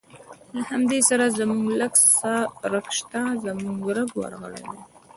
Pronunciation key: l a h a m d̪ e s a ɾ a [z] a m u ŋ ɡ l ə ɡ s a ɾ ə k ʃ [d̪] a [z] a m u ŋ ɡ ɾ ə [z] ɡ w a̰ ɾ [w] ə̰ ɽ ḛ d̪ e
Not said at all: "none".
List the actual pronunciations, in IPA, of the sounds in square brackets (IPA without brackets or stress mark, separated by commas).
z, t̪, z, none, ɣ